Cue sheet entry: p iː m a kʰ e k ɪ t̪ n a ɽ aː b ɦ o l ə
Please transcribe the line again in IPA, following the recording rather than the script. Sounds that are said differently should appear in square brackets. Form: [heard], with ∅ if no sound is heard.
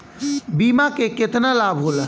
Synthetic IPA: [b] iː m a [k] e k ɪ t̪ n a [l] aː b ɦ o l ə

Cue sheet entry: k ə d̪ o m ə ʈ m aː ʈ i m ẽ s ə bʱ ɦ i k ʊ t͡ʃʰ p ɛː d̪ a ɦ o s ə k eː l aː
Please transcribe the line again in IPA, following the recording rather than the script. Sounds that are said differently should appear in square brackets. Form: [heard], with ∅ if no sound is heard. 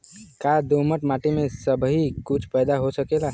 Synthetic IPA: k [a] d̪ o m ə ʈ m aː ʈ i m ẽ s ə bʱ ɦ i k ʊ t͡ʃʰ p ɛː d̪ a ɦ o s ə k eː l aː

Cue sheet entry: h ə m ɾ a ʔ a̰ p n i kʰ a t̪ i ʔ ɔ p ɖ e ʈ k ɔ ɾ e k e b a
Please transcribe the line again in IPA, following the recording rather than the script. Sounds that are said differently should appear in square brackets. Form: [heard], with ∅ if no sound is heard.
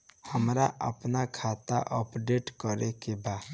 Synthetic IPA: h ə m ɾ a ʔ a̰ p n [a] kʰ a t̪ [a] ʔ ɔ p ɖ e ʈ k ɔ ɾ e k e b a

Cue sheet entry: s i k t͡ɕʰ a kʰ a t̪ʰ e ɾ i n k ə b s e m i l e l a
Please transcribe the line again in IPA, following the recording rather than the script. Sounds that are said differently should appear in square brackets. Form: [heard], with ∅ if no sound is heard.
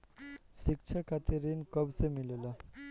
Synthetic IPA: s i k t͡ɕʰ a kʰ a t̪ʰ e ɾ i n k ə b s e m i l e l a

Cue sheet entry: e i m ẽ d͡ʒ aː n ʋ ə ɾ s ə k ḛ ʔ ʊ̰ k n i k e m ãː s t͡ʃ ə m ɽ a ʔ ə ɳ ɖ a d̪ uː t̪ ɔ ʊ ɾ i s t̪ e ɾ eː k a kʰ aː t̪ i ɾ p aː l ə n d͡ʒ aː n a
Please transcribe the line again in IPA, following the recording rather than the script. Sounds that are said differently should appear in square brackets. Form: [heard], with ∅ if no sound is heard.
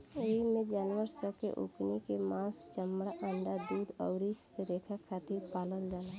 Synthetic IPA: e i m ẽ d͡ʒ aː n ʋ ə ɾ s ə k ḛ ʔ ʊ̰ k n i k e m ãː s t͡ʃ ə m ɽ a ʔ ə ɳ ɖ a d̪ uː [d̪] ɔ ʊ ɾ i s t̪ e ɾ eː [kʰ] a kʰ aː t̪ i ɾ p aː l ə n d͡ʒ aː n a

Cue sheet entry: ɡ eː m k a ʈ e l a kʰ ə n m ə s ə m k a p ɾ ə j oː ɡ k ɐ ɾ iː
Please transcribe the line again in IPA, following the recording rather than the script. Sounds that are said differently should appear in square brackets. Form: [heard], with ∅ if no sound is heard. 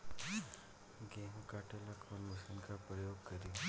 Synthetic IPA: ɡ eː m k a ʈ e l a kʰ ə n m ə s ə [n] k a p ɾ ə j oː ɡ k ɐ ɾ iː

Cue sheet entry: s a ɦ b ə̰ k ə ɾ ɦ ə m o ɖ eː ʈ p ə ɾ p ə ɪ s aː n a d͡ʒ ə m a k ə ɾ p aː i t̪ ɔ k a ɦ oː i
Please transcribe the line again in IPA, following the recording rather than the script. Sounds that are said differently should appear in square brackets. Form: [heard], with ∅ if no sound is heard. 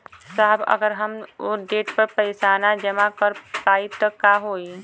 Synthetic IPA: s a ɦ b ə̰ [ɡ] ə ɾ ɦ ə m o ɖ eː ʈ p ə ɾ p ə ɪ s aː n a d͡ʒ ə m a k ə ɾ p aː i t̪ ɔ k a ɦ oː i

